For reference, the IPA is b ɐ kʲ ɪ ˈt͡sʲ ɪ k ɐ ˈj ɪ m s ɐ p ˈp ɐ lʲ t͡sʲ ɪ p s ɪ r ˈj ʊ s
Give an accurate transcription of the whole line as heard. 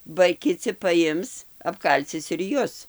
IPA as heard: b ɐ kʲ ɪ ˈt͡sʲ ɪ p ɐ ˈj ɪ m s ɐ p ˈk ɐ lʲ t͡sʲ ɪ s ɪ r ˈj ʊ s